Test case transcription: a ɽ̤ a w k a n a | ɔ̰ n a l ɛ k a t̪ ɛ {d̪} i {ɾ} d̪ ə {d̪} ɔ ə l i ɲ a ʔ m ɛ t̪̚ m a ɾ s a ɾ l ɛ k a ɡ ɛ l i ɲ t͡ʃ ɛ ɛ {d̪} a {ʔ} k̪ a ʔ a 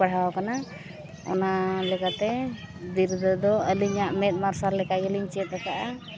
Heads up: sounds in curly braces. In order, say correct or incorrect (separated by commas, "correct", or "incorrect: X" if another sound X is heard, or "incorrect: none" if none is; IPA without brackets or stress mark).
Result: correct, correct, correct, incorrect: t̪, incorrect: none